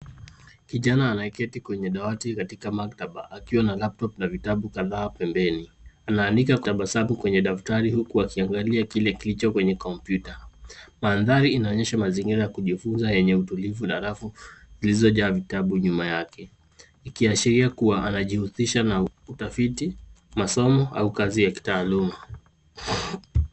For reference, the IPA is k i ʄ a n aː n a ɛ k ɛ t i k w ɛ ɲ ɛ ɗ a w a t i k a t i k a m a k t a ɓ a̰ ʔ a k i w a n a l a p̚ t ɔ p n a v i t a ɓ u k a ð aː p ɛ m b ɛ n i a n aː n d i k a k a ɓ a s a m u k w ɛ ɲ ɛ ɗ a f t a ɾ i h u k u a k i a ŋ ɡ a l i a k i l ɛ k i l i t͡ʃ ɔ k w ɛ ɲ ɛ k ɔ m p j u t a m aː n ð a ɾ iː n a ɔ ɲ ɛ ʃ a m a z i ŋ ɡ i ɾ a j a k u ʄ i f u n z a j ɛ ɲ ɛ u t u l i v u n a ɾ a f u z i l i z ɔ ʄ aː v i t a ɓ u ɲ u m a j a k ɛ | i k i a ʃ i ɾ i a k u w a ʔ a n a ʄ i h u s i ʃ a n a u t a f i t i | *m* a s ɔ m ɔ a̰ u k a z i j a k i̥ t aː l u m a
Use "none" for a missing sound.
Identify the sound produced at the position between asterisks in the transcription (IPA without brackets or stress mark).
m